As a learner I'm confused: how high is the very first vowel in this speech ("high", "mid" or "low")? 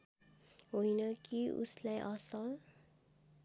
mid